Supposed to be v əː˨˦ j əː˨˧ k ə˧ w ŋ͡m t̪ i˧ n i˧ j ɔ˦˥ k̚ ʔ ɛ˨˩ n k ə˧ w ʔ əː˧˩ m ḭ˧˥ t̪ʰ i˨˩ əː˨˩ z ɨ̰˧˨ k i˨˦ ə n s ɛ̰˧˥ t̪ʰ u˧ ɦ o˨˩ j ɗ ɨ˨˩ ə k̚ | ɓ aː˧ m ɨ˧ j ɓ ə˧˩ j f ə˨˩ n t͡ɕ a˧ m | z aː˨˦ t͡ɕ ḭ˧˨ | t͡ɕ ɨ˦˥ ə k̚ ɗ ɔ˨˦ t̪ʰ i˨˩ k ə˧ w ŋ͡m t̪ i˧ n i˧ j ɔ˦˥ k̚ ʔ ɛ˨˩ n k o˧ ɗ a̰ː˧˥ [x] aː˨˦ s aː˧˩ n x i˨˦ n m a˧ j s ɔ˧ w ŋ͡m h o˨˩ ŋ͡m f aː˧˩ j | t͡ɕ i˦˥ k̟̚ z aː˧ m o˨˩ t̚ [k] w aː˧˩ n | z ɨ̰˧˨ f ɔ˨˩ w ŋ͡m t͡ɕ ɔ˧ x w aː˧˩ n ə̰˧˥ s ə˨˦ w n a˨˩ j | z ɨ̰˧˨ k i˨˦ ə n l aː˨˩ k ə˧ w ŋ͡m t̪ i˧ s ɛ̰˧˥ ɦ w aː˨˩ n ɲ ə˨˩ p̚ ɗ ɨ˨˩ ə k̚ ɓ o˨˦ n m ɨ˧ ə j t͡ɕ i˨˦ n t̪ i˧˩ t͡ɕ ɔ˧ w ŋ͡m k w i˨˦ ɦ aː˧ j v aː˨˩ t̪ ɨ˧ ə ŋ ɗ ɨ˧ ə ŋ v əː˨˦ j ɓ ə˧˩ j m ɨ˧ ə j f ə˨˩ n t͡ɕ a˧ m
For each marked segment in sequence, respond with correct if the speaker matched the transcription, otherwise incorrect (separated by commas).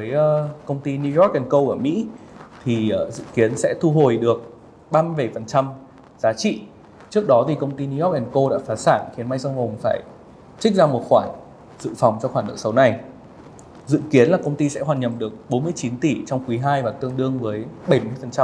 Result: incorrect, incorrect